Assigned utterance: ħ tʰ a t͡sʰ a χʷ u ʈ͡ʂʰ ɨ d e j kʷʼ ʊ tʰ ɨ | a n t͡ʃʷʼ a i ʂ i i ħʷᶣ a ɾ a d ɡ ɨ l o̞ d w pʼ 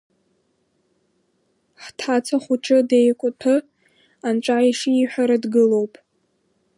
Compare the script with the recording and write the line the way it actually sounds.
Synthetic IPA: ħ tʰ a t͡sʰ a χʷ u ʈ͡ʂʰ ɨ d e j kʷʼ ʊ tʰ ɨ | a n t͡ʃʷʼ a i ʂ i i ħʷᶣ a ɾ a d ɡ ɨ l o̞ w pʼ